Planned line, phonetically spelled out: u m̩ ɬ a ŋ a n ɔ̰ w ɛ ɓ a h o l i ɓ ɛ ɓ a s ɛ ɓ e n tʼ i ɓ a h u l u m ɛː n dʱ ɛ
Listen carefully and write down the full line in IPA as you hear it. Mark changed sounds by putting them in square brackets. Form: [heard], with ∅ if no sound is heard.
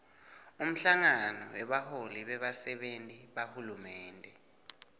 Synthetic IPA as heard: u m̩ ɬ a ŋ a n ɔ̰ w ɛ ɓ a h o l i ɓ ɛ ɓ a s ɛ ɓ e n tʼ i ɓ a h u l u m ɛː n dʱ ɛ